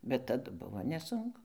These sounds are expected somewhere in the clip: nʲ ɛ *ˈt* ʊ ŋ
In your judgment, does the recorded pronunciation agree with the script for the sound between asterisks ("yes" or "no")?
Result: no